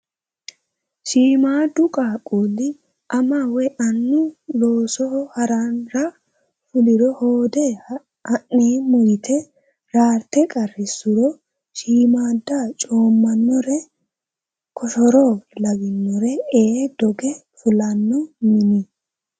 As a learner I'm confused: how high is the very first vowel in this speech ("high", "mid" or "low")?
high